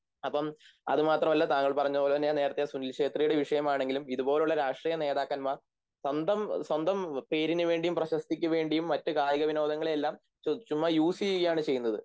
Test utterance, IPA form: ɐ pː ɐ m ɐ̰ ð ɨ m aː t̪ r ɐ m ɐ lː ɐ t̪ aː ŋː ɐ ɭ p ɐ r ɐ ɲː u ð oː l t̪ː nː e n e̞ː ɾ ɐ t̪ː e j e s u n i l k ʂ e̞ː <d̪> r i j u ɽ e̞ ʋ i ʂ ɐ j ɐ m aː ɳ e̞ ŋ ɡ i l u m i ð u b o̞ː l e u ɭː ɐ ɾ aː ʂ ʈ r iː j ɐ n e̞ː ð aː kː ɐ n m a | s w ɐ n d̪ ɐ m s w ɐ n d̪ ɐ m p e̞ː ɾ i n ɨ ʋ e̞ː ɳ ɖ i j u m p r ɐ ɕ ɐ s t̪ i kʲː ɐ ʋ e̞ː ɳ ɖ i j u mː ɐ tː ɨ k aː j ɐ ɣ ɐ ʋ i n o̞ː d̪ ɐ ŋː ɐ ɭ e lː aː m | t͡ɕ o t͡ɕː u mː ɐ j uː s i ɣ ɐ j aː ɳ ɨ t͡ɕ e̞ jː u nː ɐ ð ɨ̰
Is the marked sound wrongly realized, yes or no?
yes